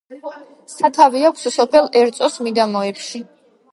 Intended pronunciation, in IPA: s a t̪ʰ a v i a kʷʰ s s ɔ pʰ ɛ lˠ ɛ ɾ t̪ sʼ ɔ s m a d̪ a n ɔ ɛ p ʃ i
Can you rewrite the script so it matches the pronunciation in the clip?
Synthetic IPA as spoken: s a t̪ʰ a v i a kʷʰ s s ɔ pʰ ɛ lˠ ɛ ɾ t̪ sʼ ɔ s m i d̪ a m ɔ ɛ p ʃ i